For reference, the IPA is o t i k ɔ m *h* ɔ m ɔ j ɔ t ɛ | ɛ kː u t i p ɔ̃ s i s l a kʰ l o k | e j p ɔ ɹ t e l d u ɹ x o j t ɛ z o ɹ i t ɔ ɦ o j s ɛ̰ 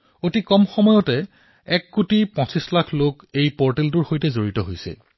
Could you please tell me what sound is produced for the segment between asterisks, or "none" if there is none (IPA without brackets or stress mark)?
x